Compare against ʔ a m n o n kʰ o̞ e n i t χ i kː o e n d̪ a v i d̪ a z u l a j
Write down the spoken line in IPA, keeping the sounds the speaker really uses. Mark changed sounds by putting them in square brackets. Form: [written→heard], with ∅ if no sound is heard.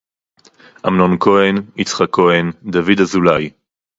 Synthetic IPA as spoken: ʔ a m n o n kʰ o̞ e n i [t→t͡s] χ [i→a] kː o e n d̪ a v i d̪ a z u l a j